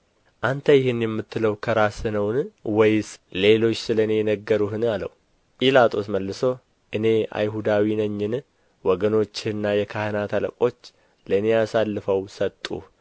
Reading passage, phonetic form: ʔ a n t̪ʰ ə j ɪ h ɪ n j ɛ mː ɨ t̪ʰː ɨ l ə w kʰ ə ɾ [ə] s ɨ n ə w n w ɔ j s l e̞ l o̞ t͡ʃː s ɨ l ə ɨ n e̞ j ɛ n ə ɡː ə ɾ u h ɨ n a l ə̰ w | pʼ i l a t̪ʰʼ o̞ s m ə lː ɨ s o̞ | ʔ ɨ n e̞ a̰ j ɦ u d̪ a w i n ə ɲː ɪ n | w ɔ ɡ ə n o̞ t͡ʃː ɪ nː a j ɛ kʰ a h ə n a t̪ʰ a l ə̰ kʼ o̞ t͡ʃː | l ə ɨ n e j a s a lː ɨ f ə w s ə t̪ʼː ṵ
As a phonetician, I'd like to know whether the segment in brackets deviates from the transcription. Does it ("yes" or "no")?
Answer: yes